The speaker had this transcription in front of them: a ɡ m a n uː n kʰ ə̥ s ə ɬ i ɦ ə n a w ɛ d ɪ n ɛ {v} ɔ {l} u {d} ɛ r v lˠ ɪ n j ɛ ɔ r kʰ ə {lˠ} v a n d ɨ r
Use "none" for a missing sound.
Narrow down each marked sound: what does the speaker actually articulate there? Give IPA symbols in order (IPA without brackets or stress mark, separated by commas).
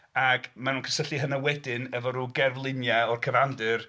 v, ɾ, ɡ, none